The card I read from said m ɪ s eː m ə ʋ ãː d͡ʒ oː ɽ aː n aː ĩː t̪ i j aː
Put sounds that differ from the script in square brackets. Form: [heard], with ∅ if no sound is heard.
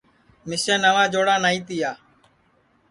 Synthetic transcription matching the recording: m ɪ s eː [n] ə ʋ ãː d͡ʒ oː ɽ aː n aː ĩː t̪ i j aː